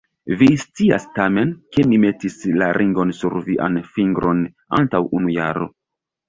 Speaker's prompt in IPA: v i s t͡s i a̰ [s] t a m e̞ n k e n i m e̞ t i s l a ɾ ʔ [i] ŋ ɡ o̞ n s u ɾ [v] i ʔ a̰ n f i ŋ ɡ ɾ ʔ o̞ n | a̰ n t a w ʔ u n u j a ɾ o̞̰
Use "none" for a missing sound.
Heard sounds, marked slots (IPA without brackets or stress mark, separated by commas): s, i, v